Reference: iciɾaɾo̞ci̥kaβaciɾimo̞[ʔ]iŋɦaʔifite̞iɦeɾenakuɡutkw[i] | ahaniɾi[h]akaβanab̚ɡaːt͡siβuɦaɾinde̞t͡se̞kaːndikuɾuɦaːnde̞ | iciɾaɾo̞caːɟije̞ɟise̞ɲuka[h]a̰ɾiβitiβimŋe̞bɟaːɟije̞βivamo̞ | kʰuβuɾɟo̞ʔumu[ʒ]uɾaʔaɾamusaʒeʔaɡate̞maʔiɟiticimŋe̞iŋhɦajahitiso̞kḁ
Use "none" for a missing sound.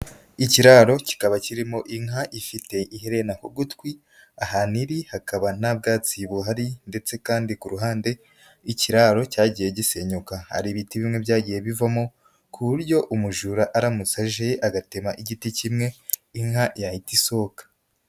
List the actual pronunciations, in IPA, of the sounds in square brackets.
ʔ, i, h, h, ʒ

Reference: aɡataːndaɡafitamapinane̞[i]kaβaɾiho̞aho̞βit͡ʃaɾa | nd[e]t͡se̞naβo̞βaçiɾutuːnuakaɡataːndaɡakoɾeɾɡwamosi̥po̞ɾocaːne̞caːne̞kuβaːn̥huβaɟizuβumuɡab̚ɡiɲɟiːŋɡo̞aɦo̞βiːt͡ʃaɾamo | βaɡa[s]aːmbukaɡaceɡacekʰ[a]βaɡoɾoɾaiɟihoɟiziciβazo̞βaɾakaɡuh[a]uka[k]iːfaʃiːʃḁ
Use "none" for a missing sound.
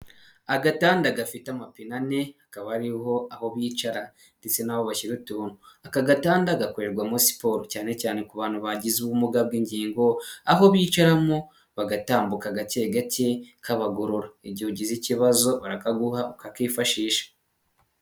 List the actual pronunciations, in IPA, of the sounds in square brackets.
a, e, t, a, a, k

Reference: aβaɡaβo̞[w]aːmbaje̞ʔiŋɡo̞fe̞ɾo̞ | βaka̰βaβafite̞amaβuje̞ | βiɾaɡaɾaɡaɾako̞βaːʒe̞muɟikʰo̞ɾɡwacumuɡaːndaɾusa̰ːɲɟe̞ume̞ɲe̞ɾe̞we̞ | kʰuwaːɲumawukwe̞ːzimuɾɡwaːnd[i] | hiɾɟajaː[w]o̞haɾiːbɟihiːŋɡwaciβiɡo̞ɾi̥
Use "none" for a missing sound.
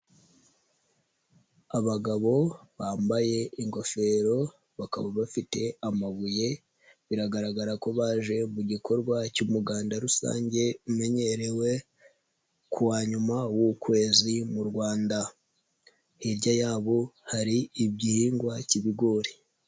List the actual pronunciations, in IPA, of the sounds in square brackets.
β, a, β

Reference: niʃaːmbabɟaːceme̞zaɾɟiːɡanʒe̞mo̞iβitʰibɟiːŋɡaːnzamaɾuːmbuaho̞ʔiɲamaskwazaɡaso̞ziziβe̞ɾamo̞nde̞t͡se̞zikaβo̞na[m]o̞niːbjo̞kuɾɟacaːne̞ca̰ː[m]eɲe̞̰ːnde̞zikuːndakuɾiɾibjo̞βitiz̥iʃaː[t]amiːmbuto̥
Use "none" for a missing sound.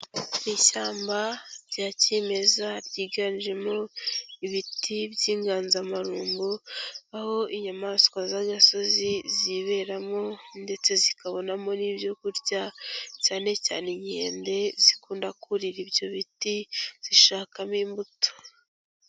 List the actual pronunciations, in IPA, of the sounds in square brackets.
m, n, k

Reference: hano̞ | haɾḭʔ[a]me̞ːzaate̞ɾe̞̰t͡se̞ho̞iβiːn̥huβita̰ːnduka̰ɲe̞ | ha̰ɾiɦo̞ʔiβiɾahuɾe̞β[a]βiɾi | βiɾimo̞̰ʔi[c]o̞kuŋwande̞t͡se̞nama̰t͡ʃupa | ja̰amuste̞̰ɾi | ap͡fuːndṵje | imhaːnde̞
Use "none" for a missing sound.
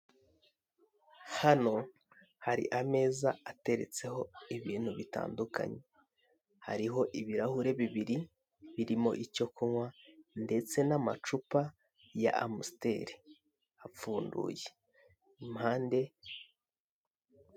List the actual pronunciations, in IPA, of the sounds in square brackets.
a, i, c

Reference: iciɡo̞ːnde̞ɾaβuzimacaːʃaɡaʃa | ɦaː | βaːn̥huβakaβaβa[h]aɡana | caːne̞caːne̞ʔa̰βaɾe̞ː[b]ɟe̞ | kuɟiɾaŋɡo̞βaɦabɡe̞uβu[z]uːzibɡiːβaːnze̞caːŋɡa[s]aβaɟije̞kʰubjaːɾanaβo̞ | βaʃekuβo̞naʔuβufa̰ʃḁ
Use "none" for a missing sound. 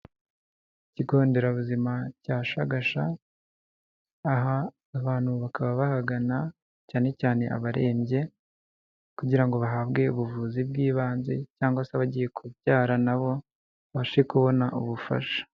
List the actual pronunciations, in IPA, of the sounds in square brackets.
h, m, v, s

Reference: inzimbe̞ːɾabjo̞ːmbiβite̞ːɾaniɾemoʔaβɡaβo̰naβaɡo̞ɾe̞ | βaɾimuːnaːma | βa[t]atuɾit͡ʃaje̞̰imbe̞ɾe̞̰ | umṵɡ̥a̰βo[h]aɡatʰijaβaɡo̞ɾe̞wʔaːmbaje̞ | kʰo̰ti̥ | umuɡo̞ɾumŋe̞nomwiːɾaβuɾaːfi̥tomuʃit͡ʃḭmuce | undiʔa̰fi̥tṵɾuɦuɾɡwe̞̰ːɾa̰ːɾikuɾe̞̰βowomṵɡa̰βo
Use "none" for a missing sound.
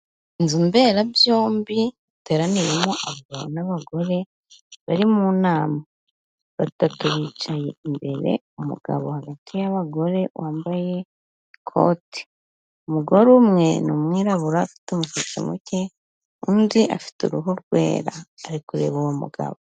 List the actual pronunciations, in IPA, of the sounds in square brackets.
t, h

